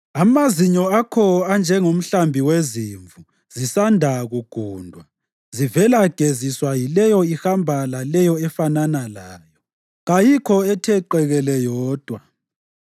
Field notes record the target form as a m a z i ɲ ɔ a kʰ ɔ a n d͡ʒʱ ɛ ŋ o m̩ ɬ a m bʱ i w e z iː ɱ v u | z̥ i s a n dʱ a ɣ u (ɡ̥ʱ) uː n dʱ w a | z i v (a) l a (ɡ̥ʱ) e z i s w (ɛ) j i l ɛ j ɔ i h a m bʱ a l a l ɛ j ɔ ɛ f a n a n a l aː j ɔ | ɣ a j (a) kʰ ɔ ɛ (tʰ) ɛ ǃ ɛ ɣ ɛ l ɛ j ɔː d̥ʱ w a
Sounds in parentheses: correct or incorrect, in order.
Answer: correct, incorrect, correct, incorrect, incorrect, correct

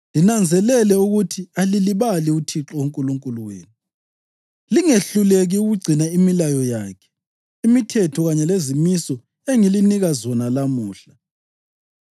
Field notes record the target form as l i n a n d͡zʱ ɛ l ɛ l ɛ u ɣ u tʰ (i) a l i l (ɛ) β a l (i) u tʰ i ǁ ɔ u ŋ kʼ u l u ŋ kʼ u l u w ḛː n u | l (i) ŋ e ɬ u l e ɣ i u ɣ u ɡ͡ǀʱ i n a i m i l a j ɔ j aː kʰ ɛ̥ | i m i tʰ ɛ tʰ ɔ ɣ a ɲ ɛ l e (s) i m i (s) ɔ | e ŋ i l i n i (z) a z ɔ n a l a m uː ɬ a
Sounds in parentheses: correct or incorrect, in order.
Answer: correct, incorrect, correct, correct, incorrect, correct, incorrect

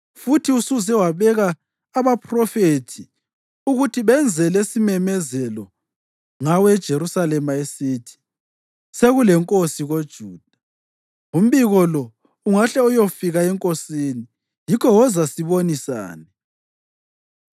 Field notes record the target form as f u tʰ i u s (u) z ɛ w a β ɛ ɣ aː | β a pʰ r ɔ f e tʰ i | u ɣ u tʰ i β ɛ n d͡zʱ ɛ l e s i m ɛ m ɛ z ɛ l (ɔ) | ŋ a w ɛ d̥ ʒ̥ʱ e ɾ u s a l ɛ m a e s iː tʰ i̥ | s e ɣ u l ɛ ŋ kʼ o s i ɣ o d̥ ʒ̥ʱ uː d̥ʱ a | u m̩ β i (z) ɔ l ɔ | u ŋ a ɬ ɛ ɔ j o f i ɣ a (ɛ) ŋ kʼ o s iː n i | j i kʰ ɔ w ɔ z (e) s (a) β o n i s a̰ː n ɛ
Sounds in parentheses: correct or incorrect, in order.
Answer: correct, correct, incorrect, correct, incorrect, incorrect

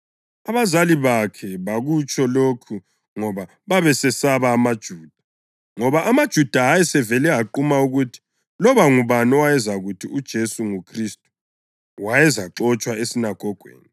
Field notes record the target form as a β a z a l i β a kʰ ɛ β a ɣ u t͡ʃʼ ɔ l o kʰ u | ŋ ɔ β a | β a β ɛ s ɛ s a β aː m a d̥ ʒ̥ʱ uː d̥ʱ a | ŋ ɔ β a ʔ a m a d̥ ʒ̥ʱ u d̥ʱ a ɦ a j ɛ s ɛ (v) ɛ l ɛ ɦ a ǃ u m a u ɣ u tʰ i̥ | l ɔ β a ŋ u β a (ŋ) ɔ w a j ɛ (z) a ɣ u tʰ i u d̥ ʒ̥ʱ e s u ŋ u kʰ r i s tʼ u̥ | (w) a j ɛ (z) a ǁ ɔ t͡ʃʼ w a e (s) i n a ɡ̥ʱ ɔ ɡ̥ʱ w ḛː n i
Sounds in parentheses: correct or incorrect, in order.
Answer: correct, incorrect, correct, correct, correct, correct

